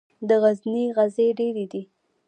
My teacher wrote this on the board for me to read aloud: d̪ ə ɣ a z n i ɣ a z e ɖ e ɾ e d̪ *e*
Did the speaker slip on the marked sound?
yes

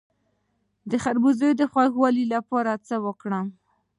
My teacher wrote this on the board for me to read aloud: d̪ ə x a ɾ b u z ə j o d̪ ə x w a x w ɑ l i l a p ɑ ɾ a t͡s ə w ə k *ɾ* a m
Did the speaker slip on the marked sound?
yes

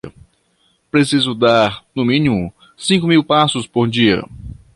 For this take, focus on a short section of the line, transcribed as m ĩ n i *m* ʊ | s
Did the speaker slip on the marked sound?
no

